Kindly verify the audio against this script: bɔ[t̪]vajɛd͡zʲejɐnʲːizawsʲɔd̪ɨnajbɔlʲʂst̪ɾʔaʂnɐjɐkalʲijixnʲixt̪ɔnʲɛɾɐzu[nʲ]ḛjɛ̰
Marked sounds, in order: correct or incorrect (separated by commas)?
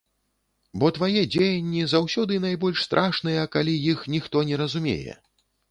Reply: correct, incorrect